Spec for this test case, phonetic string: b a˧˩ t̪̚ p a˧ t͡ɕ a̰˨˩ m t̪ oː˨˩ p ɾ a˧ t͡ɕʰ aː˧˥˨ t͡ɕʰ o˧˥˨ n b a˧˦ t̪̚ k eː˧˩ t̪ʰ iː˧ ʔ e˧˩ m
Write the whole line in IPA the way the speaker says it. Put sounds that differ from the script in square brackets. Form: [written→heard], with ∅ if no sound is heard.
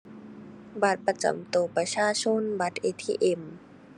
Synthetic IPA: b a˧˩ t̪̚ p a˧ t͡ɕ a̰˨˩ m t̪ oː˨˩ p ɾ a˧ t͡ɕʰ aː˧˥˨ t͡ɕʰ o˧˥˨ n b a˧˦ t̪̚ [k→ʔ] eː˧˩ t̪ʰ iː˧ ʔ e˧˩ m